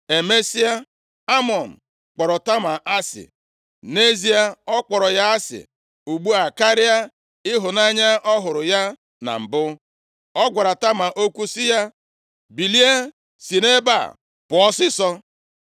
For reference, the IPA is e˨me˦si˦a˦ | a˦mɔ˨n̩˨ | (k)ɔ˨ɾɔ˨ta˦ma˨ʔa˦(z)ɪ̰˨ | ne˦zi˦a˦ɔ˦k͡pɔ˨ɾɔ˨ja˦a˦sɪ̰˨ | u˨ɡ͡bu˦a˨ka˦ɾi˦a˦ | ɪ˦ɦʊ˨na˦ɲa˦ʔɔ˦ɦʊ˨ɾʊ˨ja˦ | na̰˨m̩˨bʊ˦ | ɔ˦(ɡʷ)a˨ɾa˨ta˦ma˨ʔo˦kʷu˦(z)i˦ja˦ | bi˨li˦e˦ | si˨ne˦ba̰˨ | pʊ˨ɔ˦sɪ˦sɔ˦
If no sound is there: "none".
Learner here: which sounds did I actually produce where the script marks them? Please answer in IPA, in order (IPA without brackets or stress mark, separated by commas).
k͡p, s, ɡʷ, s